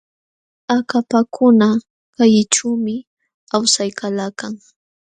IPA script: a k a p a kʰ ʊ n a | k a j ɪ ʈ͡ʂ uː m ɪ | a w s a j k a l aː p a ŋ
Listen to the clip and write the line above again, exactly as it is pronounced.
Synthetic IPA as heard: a k a p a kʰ ʊ n a | k a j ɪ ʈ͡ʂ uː m ɪ | a w s a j k a l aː k a ŋ